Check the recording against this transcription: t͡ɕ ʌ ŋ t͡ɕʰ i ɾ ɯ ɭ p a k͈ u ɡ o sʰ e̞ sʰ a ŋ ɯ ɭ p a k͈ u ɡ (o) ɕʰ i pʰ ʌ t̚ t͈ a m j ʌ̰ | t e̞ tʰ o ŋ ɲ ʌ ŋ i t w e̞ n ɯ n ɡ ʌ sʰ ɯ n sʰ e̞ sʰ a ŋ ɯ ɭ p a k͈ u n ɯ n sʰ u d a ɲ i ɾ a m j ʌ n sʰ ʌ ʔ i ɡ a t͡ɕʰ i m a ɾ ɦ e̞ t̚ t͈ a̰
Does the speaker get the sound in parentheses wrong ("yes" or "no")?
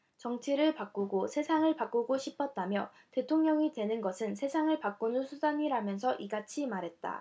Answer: no